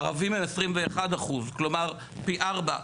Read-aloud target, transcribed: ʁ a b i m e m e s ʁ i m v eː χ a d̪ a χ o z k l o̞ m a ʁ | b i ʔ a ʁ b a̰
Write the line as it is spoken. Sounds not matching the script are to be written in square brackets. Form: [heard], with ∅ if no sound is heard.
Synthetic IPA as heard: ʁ a [v] i m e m e s ʁ i m v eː χ a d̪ a χ [u] z k l o̞ m a ʁ | [p] i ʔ a ʁ b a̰